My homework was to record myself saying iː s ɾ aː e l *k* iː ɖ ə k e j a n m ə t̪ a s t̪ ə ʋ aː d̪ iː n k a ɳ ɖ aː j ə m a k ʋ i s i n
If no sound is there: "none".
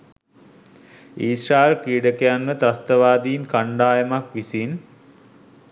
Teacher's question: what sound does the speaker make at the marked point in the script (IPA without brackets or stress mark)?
k